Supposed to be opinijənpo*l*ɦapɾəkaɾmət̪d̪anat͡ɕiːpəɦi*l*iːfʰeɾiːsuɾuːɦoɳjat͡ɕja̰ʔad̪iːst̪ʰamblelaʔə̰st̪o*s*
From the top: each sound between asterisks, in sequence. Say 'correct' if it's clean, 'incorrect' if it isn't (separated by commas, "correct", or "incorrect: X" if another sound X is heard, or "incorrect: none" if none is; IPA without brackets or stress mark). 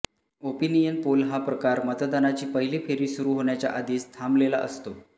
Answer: correct, correct, incorrect: none